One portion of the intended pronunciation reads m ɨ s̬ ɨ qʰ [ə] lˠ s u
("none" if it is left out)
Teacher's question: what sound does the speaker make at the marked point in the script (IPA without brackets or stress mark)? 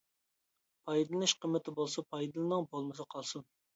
ɑ